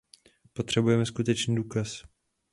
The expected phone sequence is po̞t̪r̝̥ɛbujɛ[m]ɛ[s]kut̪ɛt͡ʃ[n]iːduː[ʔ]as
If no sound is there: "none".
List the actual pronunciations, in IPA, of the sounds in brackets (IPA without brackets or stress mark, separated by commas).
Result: m, s, n, k